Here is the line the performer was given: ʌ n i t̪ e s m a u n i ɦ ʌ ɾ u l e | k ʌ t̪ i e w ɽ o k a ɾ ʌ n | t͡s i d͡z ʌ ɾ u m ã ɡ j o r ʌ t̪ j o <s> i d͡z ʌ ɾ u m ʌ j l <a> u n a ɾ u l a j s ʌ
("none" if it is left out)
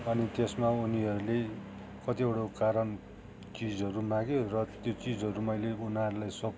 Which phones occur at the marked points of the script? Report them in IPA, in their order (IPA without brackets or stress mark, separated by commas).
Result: t͡s, e